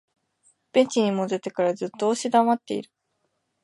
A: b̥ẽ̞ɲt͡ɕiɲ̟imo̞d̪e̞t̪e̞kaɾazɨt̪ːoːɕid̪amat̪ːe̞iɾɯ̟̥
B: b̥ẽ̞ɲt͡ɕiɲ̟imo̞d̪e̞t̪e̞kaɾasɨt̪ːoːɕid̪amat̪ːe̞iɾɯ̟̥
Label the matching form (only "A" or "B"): A